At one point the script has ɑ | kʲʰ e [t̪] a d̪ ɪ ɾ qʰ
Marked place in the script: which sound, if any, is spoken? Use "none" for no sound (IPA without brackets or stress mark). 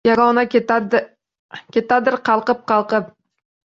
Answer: t̪